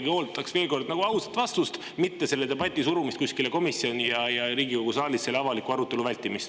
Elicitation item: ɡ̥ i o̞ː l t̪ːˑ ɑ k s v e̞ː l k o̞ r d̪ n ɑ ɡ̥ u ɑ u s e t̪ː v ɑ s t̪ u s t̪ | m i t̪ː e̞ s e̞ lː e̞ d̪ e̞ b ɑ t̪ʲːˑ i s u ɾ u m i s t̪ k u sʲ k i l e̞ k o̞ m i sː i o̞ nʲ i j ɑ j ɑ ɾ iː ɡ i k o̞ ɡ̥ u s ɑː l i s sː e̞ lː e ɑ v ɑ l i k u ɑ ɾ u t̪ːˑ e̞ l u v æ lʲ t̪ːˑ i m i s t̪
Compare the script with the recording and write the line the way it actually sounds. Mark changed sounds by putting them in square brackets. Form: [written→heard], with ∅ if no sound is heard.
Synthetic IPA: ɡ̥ i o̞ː l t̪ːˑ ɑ k s v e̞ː l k o̞ r d̪ n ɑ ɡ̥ u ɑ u s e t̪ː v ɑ s t̪ u s t̪ | m i t̪ː e̞ s e̞ lː e̞ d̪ e̞ b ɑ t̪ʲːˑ i s u ɾ u m i s t̪ k u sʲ k i l e̞ k o̞ m i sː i o̞ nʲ i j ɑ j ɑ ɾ iː ɡ i k o̞ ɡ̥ u s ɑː l i s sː e̞ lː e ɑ v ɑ l i k u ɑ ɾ u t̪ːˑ e̞ l u v æ lʲ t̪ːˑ i m i s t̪